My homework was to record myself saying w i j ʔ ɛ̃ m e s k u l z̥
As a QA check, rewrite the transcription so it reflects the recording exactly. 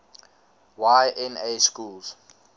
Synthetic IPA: w a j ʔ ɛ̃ n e s k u l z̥